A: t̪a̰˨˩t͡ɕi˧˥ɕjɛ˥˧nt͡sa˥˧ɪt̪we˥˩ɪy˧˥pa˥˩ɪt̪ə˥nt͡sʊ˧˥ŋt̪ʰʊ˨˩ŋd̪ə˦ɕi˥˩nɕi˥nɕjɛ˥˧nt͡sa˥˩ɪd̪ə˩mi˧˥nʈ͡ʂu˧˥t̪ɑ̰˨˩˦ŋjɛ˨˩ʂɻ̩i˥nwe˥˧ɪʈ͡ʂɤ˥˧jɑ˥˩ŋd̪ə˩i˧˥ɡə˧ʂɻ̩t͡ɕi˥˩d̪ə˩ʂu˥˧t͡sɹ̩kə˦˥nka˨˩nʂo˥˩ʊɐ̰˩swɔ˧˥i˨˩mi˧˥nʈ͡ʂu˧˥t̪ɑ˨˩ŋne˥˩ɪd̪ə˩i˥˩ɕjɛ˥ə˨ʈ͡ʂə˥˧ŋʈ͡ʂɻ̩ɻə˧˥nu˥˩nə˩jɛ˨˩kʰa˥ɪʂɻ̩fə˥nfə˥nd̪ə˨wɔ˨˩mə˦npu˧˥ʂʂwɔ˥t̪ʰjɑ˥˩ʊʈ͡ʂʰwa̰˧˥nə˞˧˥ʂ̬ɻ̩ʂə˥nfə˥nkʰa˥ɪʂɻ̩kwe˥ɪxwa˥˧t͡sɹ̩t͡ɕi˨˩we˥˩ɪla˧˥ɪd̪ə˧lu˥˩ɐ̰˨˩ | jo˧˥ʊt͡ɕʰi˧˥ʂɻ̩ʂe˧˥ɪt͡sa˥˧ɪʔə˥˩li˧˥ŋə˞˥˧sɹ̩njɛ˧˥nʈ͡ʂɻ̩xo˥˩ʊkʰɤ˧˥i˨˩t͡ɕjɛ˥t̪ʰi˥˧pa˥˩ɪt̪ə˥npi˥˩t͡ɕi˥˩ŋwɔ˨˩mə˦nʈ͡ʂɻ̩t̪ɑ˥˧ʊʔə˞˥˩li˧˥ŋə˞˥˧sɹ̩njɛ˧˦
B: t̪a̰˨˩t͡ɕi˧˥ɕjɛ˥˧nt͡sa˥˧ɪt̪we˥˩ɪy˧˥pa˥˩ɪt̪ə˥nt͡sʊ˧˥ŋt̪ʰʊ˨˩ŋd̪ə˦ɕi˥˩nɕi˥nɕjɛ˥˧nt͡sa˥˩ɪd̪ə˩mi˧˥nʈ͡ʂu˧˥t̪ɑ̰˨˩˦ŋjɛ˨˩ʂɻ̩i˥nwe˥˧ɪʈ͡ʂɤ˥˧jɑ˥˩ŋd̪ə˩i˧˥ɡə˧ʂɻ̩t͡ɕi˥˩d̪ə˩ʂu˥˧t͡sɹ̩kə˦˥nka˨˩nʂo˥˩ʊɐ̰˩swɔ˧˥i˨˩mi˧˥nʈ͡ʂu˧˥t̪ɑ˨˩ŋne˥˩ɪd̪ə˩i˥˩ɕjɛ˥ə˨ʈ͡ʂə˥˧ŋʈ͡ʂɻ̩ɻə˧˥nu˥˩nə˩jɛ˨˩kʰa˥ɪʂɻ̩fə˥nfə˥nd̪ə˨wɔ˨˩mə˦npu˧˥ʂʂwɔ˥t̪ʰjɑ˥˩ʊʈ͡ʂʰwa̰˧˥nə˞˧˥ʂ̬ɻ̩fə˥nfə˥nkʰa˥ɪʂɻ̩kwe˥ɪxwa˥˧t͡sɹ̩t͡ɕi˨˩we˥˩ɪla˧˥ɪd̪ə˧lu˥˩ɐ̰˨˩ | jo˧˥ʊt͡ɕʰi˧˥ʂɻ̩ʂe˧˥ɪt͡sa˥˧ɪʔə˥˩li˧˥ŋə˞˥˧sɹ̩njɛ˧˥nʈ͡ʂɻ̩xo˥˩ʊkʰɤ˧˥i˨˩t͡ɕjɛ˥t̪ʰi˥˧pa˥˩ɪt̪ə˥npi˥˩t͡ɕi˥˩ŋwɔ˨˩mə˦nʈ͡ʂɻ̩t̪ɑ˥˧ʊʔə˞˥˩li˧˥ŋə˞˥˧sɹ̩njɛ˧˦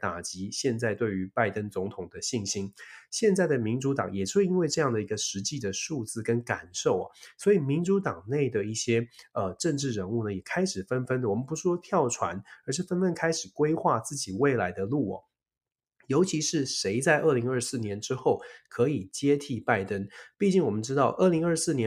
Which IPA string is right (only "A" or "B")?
B